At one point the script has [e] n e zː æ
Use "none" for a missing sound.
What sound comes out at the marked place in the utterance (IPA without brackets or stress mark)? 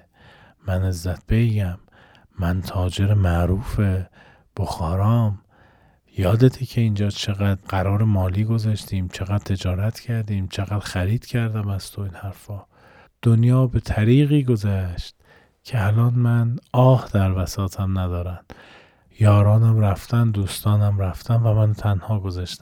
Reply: æ